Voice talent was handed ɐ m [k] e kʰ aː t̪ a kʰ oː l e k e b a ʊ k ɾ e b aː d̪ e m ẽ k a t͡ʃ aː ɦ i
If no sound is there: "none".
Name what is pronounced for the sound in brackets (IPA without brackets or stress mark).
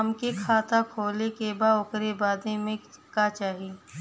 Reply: k